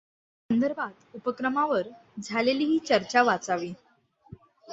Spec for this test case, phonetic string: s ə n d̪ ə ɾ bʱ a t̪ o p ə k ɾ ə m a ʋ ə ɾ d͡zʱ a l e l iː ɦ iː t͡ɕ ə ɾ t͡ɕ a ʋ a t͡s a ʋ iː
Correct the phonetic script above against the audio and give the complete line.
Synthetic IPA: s ə n d̪ ə ɾ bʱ a t̪ u p ə k ɾ ə m a ʋ ə ɾ d͡zʱ a l e l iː ɦ iː t͡ɕ ə ɾ t͡ɕ a ʋ a t͡s a ʋ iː